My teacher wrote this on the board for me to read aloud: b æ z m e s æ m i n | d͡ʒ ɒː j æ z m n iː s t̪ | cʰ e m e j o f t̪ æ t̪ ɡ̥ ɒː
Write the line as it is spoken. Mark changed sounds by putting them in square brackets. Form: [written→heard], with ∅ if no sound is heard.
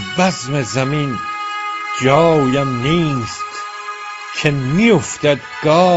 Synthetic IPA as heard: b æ z m e [s→z] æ m i n | d͡ʒ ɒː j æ [z→∅] m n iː s t̪ | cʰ e m [e→i] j o f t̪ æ [t̪→d̪] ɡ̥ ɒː